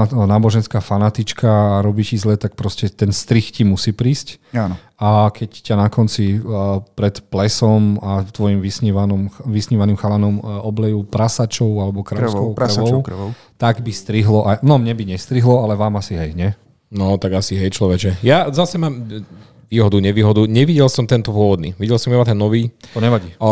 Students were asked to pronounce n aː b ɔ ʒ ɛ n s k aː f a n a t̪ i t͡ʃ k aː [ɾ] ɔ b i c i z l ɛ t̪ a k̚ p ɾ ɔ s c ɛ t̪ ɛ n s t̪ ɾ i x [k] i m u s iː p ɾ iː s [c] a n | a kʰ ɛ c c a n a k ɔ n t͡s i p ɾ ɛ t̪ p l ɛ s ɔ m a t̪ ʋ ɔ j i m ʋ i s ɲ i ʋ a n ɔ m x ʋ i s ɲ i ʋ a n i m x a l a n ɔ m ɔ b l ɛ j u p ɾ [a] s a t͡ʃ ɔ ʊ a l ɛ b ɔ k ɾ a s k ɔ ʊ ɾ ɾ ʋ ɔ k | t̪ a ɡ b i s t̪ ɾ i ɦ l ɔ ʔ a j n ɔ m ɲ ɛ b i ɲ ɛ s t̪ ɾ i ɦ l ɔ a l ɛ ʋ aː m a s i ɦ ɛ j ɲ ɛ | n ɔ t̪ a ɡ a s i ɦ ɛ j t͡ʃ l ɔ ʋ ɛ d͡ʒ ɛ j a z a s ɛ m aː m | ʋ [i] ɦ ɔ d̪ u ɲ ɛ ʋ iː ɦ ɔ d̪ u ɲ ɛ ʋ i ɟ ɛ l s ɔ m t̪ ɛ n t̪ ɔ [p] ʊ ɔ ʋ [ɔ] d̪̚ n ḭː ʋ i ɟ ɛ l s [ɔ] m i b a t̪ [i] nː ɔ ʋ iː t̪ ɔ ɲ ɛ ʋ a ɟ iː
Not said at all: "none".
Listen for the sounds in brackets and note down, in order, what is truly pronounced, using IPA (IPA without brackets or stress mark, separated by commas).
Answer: ɾ, c, c, a, iː, p, ɔ, ɔ, ɛ